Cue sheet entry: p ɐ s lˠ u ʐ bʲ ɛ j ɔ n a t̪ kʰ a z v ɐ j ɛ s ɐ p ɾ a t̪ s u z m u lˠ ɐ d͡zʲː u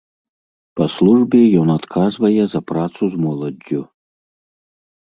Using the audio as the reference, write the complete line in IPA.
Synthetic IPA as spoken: p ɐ s lˠ u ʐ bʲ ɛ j ɔ n a t̪ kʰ a z v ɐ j ɛ z ɐ p ɾ a t̪ s u z m ɔ lˠ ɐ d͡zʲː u